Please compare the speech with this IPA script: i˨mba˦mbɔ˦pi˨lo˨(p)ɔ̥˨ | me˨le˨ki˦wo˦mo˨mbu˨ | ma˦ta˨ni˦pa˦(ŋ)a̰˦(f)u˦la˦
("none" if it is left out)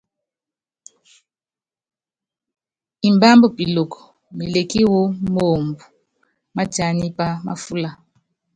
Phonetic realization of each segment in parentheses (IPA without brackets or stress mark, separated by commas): k, m, f